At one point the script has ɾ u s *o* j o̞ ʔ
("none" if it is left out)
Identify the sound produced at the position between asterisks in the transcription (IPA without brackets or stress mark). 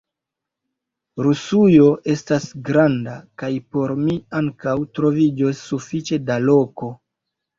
u